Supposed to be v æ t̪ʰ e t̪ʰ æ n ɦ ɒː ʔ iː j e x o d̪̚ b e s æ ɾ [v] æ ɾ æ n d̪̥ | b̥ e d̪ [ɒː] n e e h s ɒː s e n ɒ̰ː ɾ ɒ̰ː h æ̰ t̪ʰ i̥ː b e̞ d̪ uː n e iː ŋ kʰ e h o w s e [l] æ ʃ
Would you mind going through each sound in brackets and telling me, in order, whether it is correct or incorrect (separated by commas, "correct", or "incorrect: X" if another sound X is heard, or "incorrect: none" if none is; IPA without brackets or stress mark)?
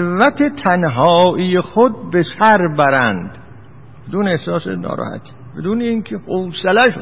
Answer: incorrect: b, incorrect: uː, correct